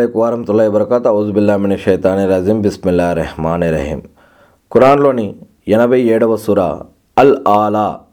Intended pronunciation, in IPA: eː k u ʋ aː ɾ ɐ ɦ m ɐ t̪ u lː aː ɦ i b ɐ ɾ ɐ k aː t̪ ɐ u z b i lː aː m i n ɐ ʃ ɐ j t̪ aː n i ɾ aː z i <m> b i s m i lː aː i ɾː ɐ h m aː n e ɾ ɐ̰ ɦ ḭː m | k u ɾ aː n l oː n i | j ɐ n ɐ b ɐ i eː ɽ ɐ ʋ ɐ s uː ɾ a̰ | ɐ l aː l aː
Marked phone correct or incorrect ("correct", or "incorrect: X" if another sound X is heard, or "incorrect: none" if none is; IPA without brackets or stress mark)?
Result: correct